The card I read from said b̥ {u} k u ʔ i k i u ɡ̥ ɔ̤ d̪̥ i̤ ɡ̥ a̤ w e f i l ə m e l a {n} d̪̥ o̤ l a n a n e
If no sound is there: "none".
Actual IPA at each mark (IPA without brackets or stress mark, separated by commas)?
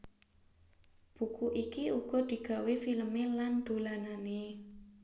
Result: u, n